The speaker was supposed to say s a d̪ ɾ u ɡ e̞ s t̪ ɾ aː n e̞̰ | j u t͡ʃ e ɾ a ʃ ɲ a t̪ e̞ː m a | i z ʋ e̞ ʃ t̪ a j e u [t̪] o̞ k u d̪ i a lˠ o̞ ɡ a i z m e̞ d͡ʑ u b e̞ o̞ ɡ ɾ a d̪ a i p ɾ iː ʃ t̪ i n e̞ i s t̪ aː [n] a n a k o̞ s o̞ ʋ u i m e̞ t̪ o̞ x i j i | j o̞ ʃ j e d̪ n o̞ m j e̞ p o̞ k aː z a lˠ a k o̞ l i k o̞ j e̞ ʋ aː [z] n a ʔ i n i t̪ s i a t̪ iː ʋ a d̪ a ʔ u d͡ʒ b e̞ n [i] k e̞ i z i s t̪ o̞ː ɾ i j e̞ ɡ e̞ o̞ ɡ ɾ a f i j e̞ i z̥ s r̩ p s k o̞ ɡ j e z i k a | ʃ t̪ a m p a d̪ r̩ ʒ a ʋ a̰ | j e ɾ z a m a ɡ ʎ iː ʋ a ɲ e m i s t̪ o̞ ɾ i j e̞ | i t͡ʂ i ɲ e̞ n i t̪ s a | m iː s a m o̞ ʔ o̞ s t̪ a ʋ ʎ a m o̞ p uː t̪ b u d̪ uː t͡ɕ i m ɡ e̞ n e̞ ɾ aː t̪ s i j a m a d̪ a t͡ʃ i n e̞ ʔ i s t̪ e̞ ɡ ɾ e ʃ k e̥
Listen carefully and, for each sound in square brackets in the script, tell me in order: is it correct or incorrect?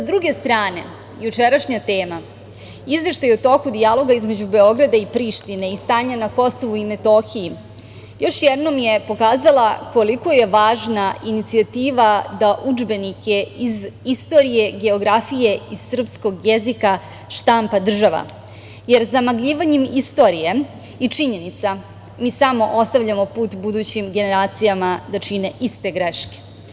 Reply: correct, incorrect: ɲ, incorrect: ʒ, correct

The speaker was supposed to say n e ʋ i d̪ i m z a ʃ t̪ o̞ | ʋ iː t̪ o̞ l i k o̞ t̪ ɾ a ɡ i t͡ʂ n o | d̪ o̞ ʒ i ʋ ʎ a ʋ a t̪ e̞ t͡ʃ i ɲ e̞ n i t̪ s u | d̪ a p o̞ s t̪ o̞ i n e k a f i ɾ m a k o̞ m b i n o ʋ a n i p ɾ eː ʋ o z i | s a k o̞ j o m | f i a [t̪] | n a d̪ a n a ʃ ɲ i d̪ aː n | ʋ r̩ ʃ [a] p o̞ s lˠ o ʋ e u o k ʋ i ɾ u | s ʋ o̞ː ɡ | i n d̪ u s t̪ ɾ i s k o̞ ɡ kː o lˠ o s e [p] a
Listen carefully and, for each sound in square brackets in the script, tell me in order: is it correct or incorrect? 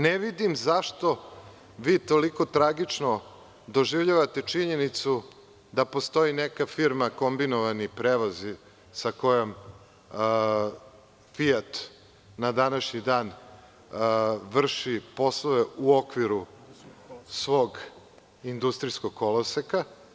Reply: correct, incorrect: i, incorrect: k

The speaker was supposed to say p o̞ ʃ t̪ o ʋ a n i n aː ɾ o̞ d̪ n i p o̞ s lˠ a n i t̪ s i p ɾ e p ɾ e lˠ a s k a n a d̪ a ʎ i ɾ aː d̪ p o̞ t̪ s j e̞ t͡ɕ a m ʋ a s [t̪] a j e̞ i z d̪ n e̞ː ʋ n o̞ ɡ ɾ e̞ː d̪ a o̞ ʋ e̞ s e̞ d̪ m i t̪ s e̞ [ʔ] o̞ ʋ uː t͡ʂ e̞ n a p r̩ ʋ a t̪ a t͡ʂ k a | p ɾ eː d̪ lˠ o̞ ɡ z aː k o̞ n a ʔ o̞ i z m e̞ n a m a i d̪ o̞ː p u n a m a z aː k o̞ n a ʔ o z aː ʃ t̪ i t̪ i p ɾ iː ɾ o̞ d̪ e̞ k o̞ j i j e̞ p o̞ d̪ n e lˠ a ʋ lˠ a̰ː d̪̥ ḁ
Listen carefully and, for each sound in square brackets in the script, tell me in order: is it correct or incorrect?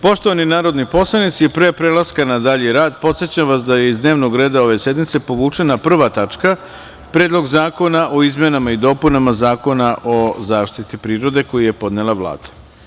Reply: incorrect: d̪, incorrect: p

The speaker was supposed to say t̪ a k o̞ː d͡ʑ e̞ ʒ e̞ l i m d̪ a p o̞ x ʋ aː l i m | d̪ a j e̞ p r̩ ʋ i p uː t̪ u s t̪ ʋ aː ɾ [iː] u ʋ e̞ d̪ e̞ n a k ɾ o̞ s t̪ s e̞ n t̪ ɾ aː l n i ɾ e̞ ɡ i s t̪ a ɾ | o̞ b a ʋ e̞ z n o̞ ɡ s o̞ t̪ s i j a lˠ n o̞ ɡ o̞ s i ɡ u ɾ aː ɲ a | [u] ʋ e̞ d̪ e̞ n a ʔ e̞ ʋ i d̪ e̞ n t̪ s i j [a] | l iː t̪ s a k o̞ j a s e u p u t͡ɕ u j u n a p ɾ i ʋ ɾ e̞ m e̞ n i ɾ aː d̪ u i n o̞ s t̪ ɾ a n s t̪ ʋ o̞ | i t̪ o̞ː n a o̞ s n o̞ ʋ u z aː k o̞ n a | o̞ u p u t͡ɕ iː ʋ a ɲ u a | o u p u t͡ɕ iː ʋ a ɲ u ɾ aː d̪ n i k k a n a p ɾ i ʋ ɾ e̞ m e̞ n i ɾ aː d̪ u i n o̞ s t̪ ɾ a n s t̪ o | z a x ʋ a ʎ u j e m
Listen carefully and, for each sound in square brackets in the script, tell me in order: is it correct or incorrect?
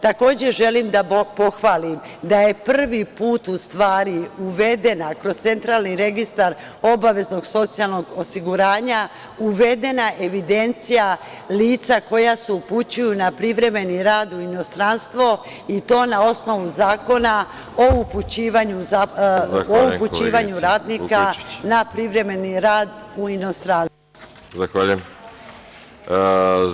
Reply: incorrect: i, correct, correct

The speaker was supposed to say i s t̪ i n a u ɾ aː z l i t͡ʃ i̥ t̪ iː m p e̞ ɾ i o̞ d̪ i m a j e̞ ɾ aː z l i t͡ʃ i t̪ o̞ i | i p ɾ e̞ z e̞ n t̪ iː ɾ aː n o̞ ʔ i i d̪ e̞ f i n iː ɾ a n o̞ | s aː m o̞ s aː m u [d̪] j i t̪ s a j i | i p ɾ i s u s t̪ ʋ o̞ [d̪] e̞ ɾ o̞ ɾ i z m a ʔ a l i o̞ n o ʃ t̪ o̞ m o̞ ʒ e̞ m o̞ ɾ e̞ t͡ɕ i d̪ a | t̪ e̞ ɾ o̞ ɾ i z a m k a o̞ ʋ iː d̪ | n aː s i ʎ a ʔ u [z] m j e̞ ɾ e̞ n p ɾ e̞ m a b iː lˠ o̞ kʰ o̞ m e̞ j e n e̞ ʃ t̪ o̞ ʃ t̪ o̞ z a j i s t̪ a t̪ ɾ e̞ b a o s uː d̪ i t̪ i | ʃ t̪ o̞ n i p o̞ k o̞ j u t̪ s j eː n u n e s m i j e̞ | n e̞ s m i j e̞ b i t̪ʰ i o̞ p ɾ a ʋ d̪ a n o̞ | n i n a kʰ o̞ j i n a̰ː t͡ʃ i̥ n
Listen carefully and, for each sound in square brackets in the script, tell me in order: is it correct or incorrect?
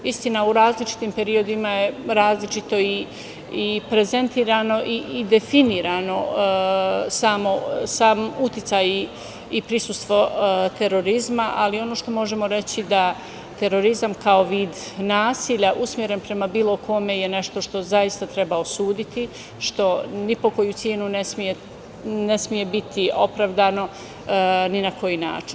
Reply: incorrect: t̪, incorrect: t̪, incorrect: s

